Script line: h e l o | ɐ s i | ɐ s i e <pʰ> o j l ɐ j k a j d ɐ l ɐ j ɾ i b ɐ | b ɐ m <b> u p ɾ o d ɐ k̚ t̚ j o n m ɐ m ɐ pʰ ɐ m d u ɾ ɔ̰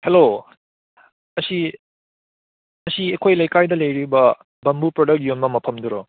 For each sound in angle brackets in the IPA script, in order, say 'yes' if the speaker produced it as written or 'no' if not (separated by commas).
no, yes